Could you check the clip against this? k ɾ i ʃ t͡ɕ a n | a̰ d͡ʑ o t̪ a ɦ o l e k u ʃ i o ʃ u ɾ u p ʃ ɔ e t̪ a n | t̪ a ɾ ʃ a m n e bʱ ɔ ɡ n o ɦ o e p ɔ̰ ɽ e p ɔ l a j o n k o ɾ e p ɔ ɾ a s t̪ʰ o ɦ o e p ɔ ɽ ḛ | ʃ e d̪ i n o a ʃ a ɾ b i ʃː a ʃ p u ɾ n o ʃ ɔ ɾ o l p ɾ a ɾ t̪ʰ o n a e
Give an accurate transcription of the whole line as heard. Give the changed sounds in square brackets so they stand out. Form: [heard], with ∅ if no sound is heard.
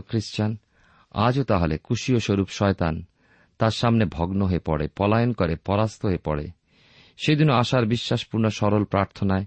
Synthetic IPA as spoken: k ɾ i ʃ t͡ɕ a n | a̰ d͡ʑ o t̪ a ɦ o l e k u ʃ i o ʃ [o] ɾ u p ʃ ɔ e t̪ a n | t̪ a ɾ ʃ a m n e bʱ ɔ ɡ n o ɦ o e p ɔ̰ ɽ e p ɔ l a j o n k o ɾ e p ɔ ɾ a s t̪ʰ o ɦ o e p ɔ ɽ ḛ | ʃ e d̪ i n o a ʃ a ɾ b i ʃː a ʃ p u ɾ n o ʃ ɔ ɾ o l p ɾ a ɾ t̪ʰ o n a e